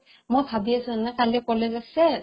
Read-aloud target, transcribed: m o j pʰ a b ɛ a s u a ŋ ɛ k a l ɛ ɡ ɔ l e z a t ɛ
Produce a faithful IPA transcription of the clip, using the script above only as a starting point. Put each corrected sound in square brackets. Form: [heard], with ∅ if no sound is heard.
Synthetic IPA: m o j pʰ a b [i] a s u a [n] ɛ k a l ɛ [k] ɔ l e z a [s] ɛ